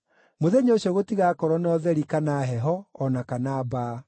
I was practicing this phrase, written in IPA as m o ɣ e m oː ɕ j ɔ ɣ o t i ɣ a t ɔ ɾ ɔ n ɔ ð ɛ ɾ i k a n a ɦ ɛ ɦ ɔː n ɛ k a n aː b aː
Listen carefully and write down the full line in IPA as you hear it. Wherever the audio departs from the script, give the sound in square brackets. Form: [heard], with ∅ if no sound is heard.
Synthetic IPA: m o [ð] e [ɲ] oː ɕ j ɔ ɣ o t i ɣ a [k] ɔ ɾ ɔ n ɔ ð ɛ ɾ i k a n a ɦ ɛ ɦ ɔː n [a] k a n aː b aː